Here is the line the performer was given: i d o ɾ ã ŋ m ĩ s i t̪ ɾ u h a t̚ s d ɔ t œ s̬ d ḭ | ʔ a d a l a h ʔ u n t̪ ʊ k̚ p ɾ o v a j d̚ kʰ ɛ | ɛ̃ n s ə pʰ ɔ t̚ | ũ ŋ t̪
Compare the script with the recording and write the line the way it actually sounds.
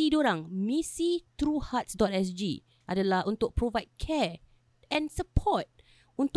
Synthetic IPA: i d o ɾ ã ŋ m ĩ s i t̪ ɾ u h a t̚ s d ɔ t ɛ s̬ d͡ʒ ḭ | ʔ a d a l a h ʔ u n t̪ ʊ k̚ p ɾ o v a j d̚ kʰ ɛ | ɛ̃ n s ə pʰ ɔ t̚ | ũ n t̪